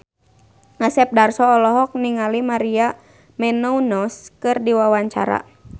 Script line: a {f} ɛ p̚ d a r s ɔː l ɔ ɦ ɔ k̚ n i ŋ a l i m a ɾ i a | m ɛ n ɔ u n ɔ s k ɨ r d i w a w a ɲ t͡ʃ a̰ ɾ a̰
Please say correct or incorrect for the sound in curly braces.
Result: incorrect